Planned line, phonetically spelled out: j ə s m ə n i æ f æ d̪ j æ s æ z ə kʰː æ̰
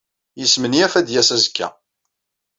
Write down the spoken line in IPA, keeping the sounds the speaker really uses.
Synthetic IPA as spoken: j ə s m ə n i æ f æ d̪ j æ s æ z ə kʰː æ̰

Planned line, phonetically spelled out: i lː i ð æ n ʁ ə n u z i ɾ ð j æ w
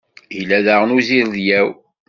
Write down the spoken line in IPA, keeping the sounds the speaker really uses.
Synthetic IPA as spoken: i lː æ ð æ ʁ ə n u z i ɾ ð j æ w

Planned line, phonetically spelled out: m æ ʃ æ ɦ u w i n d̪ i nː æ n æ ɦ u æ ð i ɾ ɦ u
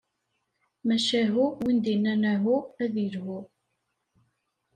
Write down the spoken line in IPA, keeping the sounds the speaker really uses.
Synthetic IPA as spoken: m æ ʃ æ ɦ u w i n d̪ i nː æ n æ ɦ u æ ð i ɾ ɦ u

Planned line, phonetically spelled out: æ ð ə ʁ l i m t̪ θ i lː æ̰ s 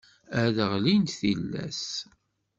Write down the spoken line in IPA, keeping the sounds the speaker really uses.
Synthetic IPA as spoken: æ ð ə ʁ l i n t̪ θ i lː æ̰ s

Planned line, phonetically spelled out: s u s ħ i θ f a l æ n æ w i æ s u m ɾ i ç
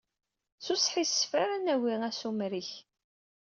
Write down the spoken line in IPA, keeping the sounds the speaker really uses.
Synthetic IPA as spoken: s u s ħ i s f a ɾ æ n æ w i æ s u m ɾ i ç

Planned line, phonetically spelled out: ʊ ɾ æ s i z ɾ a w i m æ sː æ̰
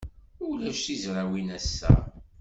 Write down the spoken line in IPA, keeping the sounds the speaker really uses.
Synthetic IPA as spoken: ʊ l æ ʃ i z ɾ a w i n æ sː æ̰

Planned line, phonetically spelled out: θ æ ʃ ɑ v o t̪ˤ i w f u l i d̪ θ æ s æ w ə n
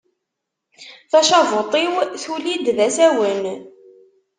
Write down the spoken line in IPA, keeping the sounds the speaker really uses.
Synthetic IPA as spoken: θ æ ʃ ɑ v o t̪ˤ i w θ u l i d̪ ð æ s æ w ə n

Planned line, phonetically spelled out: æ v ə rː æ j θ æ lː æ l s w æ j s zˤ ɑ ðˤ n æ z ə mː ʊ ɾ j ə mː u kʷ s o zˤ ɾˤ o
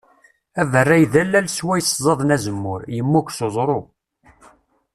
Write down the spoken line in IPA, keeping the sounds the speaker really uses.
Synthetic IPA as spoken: æ v ə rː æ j ð æ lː æ l s w æ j s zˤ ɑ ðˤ n æ z ə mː ʊ ɾ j ə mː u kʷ s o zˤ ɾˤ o

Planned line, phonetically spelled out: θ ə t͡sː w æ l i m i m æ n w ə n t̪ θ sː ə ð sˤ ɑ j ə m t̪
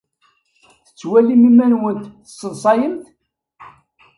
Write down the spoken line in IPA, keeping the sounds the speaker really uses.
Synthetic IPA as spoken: θ ə t͡sː w æ l i m i m æ n w ə n t̪ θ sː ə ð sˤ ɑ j ə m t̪

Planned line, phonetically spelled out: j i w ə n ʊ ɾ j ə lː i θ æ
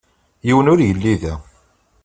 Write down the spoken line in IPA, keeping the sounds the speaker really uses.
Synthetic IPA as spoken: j i w ə n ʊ ɾ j ə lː i ð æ

